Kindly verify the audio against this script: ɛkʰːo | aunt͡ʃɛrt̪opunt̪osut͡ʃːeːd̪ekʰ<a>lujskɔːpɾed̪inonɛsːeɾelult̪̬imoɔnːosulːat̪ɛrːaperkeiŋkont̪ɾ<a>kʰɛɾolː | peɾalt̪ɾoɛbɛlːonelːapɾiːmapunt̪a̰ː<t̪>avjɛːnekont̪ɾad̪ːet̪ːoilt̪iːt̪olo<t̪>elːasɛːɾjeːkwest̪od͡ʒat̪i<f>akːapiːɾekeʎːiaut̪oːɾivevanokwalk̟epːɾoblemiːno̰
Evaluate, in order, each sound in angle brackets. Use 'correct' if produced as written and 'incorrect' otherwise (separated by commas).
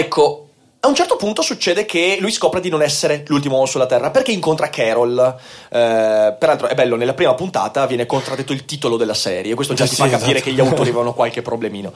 incorrect, correct, correct, incorrect, correct